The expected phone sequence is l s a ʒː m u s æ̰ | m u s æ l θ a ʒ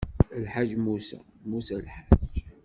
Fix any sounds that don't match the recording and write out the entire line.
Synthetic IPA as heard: l ħ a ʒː m u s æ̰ | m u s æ l ħ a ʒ